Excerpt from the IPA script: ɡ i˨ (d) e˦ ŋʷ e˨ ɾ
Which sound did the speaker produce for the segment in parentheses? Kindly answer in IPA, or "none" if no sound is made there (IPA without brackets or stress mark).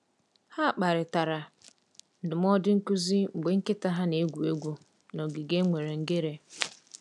ɡ